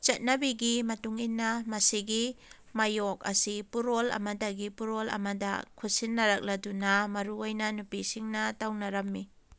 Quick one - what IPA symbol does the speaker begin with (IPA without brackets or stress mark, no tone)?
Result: t͡ʃ